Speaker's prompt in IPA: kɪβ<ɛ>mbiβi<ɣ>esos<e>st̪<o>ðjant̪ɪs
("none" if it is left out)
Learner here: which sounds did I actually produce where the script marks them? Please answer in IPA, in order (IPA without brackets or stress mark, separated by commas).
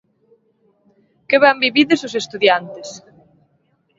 a, ð, e, u